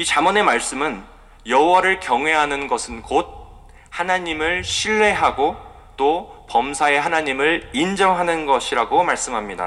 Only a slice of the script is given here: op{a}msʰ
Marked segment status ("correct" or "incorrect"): incorrect